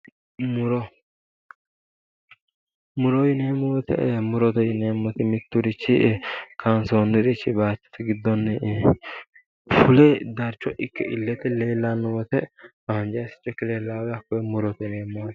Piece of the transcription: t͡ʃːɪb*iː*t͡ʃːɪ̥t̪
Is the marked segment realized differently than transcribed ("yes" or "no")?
yes